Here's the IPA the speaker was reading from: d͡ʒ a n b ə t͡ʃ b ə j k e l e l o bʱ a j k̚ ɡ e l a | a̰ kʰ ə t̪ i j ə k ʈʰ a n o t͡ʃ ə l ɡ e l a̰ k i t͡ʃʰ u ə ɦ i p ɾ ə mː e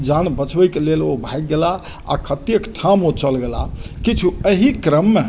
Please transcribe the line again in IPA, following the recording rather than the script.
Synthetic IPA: d͡ʒ a n b ə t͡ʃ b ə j k e l e l o bʱ a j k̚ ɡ e l a | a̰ kʰ ə t̪ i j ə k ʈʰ a m o t͡ʃ ə l ɡ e l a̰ k i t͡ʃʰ u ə ɦ i k ɾ ə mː e